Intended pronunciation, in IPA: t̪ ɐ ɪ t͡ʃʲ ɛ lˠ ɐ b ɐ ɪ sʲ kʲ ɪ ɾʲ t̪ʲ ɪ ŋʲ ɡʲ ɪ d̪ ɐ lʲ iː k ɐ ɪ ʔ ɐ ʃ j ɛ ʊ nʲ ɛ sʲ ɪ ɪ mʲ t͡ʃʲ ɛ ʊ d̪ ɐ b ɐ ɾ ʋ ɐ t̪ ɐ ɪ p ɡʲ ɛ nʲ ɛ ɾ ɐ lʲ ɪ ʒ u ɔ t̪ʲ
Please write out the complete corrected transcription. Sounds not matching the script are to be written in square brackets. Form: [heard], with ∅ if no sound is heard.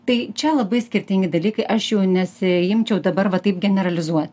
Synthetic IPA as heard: t̪ ɐ ɪ t͡ʃʲ ɛ lˠ ɐ b ɐ ɪ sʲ kʲ ɪ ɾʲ t̪ʲ ɪ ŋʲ ɡʲ ɪ d̪ ɐ lʲ iː k ɐ ɪ ʔ ɐ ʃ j ɛ ʊ nʲ ɛ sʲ ɪ ɪ mʲ t͡ʃʲ ɛ ʊ d̪ ɐ b ɐ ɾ ʋ ɐ t̪ ɐ ɪ p ɡʲ ɛ nʲ ɛ ɾ ɐ lʲ ɪ [z] u ɔ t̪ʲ